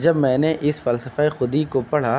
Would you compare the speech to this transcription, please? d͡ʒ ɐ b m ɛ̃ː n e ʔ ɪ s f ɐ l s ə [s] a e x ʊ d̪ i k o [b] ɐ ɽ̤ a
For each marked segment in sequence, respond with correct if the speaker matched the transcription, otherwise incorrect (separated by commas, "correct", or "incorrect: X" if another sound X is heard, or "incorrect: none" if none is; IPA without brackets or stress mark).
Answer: incorrect: f, incorrect: p